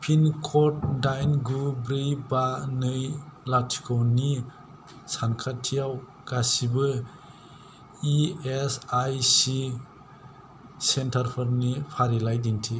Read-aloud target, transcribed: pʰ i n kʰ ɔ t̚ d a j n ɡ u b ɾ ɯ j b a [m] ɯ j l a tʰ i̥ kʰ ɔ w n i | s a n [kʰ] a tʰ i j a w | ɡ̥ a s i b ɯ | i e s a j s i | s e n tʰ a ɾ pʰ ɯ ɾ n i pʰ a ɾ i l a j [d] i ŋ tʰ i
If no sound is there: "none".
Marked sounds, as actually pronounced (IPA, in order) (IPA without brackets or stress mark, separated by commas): n, kʰ, d